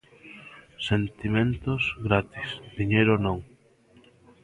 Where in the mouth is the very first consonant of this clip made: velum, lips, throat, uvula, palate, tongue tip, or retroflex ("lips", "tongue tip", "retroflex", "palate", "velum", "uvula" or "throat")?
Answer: tongue tip